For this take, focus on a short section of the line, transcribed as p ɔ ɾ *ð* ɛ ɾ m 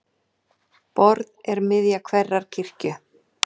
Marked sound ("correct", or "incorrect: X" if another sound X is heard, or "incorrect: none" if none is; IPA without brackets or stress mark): correct